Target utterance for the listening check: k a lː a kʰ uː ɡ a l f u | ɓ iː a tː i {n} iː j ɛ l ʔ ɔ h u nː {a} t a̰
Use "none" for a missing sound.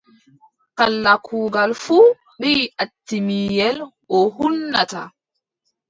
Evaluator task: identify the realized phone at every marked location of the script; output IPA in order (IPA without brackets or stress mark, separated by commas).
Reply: m, a